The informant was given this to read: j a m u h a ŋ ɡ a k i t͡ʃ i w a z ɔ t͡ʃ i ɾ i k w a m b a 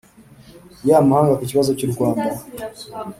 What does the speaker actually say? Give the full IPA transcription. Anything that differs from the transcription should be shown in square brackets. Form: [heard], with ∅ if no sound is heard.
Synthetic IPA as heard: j a m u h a ŋ ɡ a k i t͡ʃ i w a z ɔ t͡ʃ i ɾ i k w a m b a